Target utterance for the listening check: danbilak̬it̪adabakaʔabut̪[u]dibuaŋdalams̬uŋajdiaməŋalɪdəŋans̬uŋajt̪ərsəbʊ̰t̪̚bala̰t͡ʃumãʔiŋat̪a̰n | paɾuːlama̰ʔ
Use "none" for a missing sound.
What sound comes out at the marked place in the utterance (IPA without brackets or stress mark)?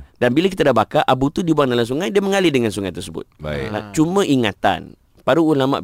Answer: u